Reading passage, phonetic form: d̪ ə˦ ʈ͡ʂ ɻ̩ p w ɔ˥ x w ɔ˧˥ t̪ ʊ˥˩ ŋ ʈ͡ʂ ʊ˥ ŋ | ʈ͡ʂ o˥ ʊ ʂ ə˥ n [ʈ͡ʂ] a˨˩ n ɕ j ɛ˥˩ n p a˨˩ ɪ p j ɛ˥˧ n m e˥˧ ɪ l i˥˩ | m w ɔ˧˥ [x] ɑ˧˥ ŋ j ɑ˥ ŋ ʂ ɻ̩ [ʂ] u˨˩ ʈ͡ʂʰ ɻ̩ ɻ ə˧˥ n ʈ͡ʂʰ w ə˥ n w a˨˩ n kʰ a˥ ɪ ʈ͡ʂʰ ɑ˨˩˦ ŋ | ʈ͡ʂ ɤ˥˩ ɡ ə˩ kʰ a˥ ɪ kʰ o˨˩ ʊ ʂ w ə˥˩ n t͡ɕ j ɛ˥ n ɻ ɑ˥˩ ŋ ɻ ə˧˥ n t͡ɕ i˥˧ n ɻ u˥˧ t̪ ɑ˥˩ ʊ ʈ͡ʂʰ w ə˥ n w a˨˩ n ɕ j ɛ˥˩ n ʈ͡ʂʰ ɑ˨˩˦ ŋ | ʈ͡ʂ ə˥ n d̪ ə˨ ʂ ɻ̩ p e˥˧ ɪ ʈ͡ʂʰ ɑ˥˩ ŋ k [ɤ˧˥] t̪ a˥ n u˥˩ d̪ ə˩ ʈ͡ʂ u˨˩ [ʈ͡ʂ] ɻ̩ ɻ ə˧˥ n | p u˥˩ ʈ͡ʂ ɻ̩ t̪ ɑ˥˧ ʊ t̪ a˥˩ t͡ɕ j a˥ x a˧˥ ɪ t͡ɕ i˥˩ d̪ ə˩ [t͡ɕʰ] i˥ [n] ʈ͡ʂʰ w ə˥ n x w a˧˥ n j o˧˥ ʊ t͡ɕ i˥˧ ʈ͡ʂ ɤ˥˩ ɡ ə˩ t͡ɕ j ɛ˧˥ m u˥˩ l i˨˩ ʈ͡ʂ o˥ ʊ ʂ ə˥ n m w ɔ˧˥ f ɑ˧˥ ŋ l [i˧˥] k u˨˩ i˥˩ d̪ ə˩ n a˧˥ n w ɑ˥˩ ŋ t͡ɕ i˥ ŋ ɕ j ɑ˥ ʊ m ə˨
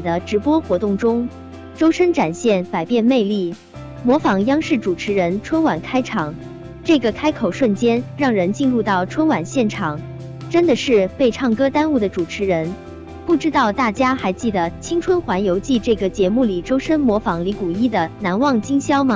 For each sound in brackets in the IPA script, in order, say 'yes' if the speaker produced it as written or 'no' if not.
yes, no, no, no, no, yes, no, yes

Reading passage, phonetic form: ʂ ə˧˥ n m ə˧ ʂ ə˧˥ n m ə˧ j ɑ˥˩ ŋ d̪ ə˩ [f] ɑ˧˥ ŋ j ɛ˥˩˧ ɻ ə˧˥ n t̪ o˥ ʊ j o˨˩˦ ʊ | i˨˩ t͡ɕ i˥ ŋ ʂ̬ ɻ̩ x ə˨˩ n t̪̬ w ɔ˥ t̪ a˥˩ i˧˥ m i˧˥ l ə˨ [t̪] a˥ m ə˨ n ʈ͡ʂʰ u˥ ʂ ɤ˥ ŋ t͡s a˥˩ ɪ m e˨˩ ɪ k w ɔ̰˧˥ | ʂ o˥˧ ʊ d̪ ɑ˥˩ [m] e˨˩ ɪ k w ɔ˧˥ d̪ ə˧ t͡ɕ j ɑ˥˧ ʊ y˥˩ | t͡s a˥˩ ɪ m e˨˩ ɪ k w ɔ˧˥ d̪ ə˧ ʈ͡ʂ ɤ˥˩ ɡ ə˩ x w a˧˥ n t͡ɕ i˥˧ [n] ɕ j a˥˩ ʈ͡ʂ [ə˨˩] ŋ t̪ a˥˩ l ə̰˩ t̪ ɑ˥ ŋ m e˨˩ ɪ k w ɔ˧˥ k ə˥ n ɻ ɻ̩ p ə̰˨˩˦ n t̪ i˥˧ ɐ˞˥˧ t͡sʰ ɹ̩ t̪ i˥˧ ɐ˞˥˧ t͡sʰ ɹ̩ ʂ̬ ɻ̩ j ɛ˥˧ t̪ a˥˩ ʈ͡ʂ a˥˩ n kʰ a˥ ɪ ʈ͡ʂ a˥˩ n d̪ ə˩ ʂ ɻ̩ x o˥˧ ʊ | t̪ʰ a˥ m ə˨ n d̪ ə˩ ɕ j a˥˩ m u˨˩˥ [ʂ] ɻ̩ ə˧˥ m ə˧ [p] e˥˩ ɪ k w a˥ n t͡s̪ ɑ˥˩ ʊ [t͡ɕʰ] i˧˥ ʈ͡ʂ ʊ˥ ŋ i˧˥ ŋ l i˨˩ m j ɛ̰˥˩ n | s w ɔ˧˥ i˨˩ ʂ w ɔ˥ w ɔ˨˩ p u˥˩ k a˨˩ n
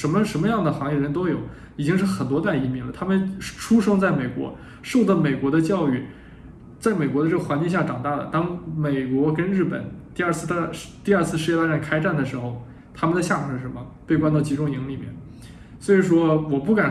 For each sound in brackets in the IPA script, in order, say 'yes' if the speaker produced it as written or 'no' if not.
no, no, yes, no, no, yes, yes, no

